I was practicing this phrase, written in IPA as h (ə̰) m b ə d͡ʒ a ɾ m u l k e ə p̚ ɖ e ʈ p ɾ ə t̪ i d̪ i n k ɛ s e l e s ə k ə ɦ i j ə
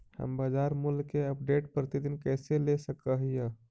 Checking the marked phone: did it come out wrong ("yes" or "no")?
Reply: no